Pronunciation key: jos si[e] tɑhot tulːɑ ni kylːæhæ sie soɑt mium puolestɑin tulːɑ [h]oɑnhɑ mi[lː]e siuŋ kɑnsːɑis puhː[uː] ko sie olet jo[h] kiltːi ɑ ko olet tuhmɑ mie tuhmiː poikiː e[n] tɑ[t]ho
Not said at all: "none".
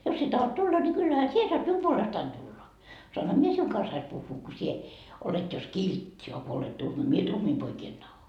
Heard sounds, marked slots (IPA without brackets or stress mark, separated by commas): e, s, none, uː, s, n, none